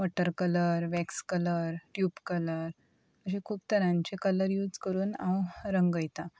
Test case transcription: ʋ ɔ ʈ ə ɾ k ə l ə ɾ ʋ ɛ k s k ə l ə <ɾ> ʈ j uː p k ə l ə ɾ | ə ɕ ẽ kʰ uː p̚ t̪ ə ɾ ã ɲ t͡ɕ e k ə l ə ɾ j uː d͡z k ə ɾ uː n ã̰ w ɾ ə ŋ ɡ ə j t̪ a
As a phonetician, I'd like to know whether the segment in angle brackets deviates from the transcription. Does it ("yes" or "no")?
no